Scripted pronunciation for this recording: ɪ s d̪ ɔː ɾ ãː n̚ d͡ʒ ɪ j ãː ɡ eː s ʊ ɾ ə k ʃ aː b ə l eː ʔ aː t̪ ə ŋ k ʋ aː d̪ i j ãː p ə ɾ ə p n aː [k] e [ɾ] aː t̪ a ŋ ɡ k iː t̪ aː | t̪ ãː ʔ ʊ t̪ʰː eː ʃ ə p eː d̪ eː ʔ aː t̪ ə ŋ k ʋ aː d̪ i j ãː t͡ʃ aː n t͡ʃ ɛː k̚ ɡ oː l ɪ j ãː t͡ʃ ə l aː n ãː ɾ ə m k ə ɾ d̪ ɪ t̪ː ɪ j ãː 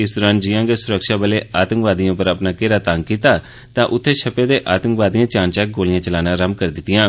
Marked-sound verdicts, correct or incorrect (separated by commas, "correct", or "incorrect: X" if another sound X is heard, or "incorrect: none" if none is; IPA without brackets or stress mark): correct, correct